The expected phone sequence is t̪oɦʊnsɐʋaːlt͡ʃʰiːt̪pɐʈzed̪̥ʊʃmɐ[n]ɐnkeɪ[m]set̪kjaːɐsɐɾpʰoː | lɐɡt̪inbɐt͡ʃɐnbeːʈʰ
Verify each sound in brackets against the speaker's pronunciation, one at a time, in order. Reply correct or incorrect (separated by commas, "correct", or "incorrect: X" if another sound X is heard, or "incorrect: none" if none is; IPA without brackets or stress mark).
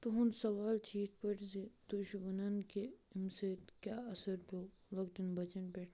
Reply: correct, correct